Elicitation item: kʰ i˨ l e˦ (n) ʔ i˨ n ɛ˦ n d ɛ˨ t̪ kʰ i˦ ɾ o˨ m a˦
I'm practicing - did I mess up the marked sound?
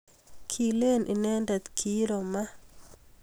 no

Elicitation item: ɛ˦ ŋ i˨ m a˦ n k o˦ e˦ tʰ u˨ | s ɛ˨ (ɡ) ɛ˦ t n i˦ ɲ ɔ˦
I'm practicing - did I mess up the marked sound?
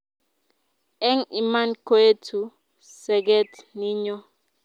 no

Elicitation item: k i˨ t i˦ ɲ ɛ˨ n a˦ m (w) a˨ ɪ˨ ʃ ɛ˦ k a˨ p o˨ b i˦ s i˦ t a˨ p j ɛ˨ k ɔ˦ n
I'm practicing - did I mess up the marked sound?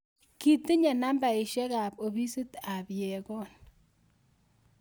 yes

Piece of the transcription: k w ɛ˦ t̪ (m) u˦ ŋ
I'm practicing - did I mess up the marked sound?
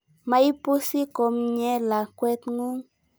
yes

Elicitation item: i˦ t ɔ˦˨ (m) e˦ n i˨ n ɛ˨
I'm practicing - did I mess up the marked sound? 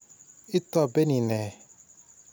yes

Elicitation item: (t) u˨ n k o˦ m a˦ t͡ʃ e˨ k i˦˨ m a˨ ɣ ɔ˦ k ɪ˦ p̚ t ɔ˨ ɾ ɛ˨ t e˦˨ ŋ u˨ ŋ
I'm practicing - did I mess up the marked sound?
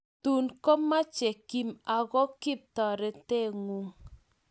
no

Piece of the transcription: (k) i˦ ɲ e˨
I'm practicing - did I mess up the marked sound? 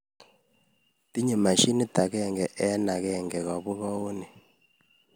yes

